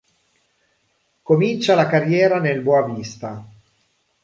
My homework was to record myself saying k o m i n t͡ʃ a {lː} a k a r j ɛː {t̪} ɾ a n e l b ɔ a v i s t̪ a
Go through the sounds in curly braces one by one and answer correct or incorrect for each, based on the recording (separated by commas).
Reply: incorrect, incorrect